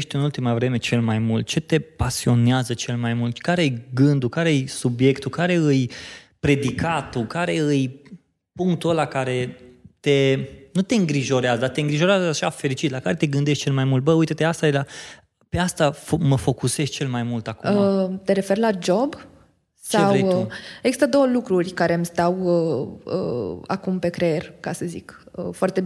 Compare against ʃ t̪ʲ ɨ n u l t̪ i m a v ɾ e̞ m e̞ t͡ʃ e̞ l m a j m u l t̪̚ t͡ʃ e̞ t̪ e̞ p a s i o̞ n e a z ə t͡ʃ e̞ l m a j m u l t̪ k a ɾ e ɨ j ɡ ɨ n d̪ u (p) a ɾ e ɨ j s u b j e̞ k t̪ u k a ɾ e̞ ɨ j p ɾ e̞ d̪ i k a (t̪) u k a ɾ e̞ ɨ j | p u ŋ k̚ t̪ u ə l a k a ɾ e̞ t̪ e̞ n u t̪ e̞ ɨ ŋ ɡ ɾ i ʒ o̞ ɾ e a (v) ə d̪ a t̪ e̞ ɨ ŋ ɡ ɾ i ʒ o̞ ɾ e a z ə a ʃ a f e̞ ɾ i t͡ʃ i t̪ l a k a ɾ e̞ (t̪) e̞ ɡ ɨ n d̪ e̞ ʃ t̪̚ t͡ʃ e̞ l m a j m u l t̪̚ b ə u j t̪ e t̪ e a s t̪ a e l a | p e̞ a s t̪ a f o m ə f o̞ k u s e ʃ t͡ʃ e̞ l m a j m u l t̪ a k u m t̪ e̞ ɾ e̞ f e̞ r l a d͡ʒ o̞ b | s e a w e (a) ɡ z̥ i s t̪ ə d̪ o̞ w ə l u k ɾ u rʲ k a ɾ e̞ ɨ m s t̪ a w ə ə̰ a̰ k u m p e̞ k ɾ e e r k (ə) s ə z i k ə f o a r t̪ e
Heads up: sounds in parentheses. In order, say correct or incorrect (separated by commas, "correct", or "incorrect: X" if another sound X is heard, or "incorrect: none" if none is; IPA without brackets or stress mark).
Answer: incorrect: k, correct, incorrect: z, correct, incorrect: e, incorrect: a